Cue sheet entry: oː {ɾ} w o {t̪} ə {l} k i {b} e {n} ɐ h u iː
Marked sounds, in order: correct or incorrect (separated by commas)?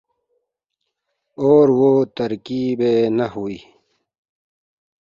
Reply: correct, correct, incorrect, correct, correct